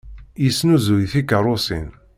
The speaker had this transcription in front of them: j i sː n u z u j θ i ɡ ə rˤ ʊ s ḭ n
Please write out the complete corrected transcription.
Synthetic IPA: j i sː n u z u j θ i k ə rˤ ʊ s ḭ n